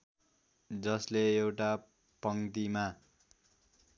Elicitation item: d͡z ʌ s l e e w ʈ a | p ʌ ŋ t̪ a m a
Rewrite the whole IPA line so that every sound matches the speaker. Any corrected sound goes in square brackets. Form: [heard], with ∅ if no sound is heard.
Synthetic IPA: d͡z ʌ s l e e w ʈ a | p ʌ ŋ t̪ [i] m a